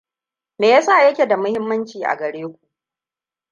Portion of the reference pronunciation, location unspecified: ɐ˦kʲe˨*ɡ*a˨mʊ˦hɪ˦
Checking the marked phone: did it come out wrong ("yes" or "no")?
yes